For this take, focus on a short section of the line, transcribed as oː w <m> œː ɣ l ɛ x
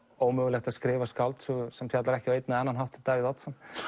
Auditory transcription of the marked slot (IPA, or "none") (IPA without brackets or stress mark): m